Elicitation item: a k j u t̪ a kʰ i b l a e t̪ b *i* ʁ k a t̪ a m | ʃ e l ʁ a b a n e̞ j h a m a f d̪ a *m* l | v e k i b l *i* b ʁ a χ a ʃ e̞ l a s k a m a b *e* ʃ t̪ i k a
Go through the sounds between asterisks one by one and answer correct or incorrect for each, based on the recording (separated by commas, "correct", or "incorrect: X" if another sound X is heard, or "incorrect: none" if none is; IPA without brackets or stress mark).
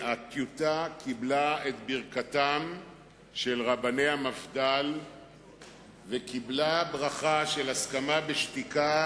correct, incorrect: none, incorrect: a, correct